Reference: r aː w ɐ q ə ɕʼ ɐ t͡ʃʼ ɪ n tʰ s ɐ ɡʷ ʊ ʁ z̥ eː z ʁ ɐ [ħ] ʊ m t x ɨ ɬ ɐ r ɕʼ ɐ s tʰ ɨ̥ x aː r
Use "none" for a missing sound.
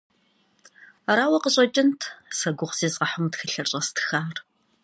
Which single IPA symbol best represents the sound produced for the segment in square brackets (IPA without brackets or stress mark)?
ħ